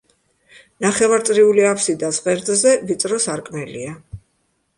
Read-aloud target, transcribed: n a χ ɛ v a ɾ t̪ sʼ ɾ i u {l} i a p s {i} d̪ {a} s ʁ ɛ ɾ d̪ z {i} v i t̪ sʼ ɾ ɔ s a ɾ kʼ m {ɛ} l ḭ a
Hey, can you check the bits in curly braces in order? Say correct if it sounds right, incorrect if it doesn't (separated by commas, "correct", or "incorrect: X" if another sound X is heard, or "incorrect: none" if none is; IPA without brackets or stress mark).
correct, correct, correct, incorrect: ɛ, correct